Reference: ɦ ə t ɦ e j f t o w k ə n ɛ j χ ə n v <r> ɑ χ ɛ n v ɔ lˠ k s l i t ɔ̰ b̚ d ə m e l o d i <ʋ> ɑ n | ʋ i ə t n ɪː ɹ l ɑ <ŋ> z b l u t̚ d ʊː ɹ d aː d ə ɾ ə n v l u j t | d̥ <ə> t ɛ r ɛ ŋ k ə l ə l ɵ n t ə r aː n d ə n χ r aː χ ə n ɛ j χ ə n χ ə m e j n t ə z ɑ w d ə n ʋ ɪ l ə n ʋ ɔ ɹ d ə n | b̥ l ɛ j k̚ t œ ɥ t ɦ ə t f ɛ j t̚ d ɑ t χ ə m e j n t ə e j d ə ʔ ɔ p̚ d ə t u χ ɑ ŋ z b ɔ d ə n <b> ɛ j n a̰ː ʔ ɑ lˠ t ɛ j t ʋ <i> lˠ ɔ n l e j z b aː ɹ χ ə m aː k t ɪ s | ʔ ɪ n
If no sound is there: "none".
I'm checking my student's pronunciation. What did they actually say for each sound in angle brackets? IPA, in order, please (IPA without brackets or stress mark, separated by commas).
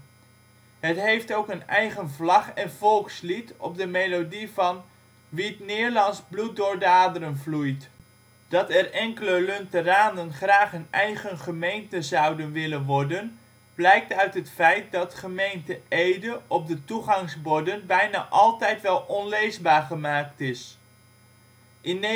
l, v, n, ɑ, b, ɛ